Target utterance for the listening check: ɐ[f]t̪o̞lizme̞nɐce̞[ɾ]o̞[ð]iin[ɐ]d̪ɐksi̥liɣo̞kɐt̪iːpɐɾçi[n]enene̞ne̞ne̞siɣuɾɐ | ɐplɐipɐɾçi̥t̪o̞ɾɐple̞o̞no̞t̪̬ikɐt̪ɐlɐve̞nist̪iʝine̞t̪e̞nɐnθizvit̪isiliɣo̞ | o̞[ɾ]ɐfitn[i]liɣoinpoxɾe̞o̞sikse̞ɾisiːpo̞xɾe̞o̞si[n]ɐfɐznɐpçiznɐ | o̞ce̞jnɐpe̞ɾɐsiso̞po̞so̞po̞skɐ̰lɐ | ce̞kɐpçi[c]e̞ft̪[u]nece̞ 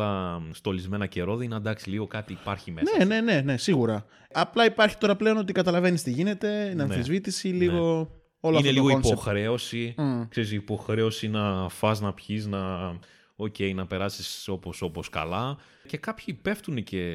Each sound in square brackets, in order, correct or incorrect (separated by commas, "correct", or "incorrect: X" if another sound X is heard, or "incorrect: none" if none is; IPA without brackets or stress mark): incorrect: s, correct, correct, correct, incorrect: m, incorrect: l, incorrect: e, correct, incorrect: p, correct